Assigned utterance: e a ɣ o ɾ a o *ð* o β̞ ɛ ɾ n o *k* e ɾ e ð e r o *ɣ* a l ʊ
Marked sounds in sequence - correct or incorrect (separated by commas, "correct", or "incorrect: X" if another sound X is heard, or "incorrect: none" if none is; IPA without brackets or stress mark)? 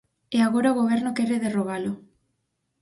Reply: incorrect: ɣ, correct, correct